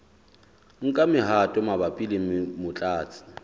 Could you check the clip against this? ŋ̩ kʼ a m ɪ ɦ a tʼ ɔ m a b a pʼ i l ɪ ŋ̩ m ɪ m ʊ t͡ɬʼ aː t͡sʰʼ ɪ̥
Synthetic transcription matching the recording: ŋ̩ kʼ a m ɪ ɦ a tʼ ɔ m a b a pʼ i l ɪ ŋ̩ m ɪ m ʊ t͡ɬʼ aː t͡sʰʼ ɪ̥